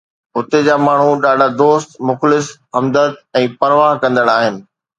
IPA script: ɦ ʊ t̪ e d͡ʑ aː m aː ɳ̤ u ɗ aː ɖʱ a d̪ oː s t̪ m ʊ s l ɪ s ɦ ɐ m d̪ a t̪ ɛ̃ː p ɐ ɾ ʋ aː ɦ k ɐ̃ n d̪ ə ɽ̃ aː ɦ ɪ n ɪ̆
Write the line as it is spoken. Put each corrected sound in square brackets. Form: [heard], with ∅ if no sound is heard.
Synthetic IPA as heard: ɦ ʊ t̪ e d͡ʑ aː m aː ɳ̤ u ɗ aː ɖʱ a d̪ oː s t̪ m ʊ [x] l ɪ s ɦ ɐ m d̪ [ə] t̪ ɛ̃ː p ɐ ɾ ʋ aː ɦ k ɐ̃ n d̪ ə ɽ̃ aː ɦ ɪ n ɪ̆